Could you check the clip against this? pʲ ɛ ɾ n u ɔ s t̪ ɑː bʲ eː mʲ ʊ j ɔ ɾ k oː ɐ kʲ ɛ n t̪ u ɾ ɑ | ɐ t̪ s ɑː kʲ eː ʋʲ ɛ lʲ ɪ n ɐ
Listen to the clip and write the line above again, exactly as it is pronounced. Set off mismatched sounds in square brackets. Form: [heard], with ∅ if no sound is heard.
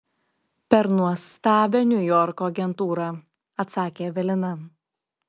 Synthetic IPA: pʲ ɛ ɾ n u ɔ s t̪ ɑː bʲ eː [nʲ] ʊ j ɔ ɾ k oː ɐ [ɡʲ] ɛ n t̪ [uː] ɾ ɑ | ɐ t̪ s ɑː kʲ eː ʋʲ ɛ lʲ ɪ n ɐ